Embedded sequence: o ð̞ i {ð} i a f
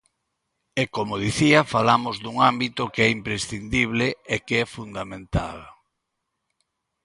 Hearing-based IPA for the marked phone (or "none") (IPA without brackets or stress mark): θ